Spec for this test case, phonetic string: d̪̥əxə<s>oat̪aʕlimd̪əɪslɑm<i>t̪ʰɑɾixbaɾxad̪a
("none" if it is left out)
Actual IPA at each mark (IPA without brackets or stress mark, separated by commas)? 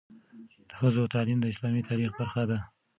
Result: z, i